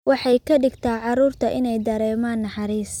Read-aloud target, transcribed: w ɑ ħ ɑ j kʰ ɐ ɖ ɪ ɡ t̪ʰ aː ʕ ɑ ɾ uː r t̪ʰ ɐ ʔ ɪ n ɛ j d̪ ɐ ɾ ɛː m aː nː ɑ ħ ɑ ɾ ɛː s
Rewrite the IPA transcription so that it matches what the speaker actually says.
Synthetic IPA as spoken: w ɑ ħ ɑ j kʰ ɐ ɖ ɪ ɡ t̪ʰ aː ʕ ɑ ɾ uː r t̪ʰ ɐ ʔ ɪ n ɛ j d̪ ɐ ɾ ɛː m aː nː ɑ ħ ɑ ɾ iː s

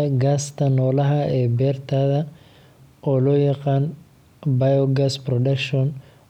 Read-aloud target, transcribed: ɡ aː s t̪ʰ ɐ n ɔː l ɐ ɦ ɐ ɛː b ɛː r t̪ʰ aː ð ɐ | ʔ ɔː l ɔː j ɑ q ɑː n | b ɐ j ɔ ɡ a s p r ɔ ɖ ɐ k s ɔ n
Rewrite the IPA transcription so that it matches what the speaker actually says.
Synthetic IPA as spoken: ɡ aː s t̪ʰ ɐ n ɔː l ɐ ɦ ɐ ɛː b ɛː r t̪ʰ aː ð ɐ | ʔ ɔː l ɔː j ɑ q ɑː n | b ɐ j ɔ ɡ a s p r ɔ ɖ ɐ k ʃ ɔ n

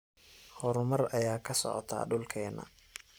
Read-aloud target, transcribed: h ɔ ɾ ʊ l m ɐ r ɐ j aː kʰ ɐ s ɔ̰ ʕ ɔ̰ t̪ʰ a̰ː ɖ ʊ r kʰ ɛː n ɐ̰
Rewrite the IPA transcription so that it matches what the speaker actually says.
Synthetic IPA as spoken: h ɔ ɾ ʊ m ɐ r ɐ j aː kʰ ɐ s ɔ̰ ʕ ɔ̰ t̪ʰ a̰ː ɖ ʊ l kʰ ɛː n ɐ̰

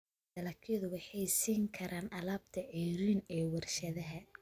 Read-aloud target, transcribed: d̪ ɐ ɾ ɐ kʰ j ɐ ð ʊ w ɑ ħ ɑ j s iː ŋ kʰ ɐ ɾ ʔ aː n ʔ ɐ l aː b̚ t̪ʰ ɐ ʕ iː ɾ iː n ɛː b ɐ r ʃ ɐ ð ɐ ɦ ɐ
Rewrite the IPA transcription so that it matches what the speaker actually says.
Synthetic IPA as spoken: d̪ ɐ l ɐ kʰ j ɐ ð ʊ w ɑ ħ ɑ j s iː ŋ kʰ ɐ ɾ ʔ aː n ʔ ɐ l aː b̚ t̪ʰ ɐ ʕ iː ɾ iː n ɛː w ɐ r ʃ ɐ ð ɐ ɦ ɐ

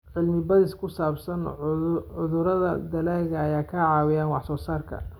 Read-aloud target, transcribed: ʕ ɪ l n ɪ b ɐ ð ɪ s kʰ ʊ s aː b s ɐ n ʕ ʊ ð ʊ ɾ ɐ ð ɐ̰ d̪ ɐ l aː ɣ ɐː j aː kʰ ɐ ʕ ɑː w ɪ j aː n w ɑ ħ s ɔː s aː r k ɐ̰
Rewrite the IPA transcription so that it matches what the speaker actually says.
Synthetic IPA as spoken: ʕ ɪ l m ɪ b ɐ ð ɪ s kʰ ʊ s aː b s ɐ n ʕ ʊ ð ʊ ɾ ɐ ð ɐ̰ d̪ ɐ l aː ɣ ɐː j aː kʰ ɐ ʕ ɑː w ɪ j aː n w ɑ ħ s ɔː s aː r kʰ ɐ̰

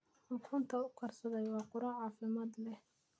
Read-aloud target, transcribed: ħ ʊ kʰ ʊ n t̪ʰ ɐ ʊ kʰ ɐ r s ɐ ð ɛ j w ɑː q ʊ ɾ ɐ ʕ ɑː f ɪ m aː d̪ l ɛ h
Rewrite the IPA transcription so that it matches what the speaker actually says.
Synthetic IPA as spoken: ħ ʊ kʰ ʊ n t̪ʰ ɐ ʊ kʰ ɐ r s ɐ ð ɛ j w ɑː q ʊ ɾ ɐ ʕ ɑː f ɪ m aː d̪ l ɛ h

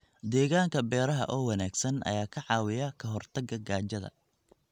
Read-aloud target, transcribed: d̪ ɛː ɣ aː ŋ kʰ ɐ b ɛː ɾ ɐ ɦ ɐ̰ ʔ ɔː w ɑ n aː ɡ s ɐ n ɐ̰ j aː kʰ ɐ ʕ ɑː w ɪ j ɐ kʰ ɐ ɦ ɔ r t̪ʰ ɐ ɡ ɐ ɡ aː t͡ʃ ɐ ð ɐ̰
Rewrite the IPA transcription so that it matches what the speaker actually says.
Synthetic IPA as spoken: d̪ ɛː ɣ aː ŋ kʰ ɐ b ɛː ɾ ɐ ɦ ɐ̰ ʔ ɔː w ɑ n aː ɡ s ɐ n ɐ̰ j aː kʰ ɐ ʕ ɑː w ɪ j ɐ kʰ ɐ ɦ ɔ r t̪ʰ ɐ ɡ ɐ ɡ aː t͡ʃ ɐ ð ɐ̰

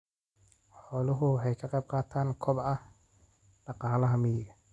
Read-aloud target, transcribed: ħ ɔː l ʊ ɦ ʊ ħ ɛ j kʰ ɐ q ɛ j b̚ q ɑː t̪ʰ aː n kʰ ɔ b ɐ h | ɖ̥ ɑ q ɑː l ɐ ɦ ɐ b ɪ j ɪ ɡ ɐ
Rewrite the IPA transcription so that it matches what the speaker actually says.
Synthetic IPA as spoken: ħ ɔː l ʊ ɦ ʊ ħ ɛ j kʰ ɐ q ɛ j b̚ q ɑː t̪ʰ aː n kʰ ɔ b ɐ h | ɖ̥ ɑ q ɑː l ɐ ɦ ɐ m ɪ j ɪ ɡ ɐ

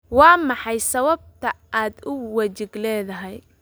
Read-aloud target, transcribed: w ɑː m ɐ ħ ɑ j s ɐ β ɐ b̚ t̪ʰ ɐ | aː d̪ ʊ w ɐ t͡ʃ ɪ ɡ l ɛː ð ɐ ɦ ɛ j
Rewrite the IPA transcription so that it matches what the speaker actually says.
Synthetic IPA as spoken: w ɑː m ɑ ħ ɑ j s ɐ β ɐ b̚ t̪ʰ ɐ | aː d̪ ʊ w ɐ t͡ʃ ɪ ɡ l ɛː ð ɐ ɦ ɛ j

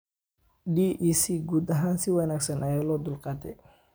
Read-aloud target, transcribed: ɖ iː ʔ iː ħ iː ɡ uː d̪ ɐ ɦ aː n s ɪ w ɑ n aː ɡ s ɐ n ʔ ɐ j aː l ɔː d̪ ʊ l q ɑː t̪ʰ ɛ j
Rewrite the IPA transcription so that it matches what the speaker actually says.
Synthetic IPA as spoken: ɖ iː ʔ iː s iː ɡ uː d̪ ɐ ɦ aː n s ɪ w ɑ n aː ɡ s ɐ n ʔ ɐ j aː l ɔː d̪ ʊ l q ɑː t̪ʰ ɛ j

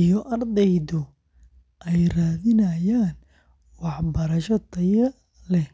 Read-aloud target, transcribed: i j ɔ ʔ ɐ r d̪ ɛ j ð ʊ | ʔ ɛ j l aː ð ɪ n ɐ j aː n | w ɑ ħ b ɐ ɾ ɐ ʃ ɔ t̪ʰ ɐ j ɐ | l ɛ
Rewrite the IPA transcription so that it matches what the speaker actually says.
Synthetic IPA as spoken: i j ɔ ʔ ɐ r d̪ ɛ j ð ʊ | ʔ ɛ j r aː ð ɪ n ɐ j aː n | w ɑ ħ b ɐ ɾ ɐ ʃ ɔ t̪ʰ ɐ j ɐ | l ɛ

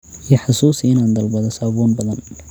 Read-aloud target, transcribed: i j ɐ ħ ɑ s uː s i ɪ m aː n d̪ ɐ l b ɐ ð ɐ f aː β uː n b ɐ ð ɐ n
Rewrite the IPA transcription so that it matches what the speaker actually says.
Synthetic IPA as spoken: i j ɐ ħ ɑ s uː s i ɪ n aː n d̪ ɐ l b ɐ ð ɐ s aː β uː n b ɐ ð ɐ n

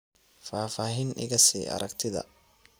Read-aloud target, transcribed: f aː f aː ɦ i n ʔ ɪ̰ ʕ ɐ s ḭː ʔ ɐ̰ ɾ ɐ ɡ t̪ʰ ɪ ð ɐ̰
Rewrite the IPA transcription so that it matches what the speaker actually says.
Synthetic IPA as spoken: f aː f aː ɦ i n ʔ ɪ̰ ɣ ɐ s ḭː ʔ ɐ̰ ɾ ɐ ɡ t̪ʰ ɪ ð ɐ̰

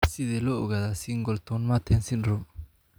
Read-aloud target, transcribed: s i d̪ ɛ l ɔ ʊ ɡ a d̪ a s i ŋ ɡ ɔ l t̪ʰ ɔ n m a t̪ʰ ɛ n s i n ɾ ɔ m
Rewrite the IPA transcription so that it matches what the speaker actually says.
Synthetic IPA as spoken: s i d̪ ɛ l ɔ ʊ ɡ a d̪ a s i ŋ ɡ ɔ l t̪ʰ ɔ n m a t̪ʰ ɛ n s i n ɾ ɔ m

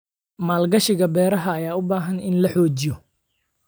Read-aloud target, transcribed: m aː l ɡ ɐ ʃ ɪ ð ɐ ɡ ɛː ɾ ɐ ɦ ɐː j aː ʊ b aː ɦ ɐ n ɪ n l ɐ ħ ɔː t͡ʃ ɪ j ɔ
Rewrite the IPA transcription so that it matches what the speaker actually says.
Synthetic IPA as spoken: m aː l ɡ ɐ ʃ ɪ ɣ ɐ b ɛː ɾ ɐ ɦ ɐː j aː ʊ b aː ɦ ɐ n ɪ n l ɐ ħ ɔː t͡ʃ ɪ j ɔ

